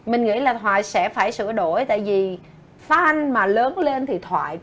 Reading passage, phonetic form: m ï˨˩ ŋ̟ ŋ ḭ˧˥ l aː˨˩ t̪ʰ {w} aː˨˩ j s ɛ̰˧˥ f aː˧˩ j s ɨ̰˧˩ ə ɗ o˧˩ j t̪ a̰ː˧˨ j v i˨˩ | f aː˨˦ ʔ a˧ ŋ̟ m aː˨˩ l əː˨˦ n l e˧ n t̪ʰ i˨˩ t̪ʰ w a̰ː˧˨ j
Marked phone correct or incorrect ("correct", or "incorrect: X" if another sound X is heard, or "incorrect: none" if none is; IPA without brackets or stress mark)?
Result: correct